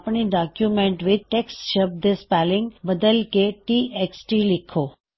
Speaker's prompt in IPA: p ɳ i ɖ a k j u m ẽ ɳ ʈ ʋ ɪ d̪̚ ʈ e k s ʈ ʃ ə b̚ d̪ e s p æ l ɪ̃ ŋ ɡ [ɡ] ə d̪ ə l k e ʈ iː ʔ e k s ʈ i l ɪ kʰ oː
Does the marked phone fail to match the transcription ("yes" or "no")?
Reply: yes